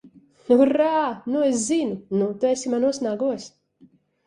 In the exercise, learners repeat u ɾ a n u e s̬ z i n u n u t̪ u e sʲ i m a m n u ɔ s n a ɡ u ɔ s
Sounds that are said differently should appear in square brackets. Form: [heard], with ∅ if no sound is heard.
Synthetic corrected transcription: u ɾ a n u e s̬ z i n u n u t̪ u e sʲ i m a [∅] n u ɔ s n a ɡ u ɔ s